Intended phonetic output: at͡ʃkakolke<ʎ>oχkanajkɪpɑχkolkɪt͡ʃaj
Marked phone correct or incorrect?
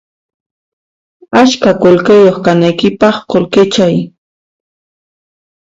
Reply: incorrect: j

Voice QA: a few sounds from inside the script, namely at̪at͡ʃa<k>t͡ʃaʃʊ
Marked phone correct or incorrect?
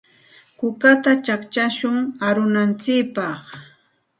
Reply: correct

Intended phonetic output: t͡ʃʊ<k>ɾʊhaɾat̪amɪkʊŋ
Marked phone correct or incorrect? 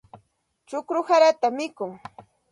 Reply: correct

